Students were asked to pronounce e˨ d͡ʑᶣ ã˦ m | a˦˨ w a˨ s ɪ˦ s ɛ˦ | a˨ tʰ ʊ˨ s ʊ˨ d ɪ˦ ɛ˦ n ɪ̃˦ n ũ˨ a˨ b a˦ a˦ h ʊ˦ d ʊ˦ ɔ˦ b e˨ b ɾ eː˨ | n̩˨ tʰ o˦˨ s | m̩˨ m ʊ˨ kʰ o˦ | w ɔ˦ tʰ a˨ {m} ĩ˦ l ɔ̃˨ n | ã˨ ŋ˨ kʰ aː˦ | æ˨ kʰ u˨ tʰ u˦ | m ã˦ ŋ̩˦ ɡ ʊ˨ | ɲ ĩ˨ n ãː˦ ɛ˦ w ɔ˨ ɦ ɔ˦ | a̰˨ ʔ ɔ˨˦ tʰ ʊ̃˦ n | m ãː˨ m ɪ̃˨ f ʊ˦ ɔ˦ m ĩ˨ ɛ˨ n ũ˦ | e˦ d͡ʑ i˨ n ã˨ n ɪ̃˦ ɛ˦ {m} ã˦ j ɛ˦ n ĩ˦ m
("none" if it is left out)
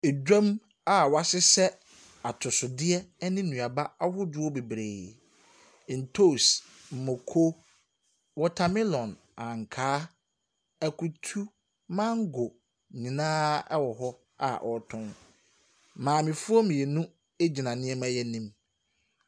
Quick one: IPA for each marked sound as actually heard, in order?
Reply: m, m

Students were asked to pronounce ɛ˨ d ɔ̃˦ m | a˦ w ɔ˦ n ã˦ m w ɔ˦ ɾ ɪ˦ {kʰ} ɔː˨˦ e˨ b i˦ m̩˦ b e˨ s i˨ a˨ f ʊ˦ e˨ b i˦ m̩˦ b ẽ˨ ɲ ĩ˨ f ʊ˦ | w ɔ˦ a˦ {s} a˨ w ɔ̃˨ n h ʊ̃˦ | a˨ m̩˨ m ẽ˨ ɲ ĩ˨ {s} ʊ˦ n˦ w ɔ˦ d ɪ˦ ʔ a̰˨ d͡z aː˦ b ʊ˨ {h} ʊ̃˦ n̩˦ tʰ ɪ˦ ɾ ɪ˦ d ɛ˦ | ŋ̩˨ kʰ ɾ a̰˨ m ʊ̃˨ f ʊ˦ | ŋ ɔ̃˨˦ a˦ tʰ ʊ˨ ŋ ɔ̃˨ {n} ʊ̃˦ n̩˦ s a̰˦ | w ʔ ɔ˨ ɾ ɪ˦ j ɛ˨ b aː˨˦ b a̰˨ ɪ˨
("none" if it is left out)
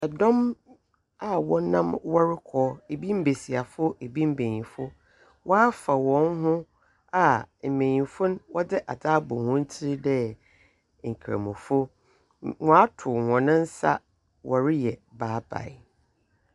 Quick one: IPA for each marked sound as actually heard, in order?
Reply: kʰ, f, f, h, n

